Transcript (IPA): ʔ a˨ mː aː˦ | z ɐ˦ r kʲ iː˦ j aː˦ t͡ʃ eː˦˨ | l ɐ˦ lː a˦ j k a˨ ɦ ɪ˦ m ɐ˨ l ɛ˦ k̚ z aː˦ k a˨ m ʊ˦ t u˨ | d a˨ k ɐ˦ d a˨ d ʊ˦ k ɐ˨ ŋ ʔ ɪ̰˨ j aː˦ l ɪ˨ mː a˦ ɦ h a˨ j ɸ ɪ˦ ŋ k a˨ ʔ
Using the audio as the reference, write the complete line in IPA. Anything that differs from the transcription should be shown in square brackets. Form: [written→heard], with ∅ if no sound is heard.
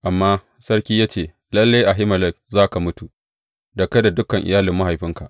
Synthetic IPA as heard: ʔ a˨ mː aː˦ | [z→s] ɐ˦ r kʲ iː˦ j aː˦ t͡ʃ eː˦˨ | l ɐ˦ lː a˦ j [k→ʔ] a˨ ɦ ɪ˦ m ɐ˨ l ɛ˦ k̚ z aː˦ k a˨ m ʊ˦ t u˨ | d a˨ k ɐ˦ d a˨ d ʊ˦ k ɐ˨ ŋ ʔ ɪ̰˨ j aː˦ l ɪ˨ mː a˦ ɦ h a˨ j ɸ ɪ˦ ŋ k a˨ ʔ